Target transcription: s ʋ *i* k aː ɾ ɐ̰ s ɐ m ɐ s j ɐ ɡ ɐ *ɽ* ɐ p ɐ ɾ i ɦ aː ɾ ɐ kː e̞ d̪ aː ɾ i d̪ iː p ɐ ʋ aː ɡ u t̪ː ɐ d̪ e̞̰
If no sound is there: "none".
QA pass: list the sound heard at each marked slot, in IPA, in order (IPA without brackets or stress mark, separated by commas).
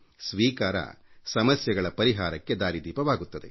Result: iː, ɭ